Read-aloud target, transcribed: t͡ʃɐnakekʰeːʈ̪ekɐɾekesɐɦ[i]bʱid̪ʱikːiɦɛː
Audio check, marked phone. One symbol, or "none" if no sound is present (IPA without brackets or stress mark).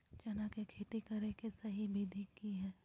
i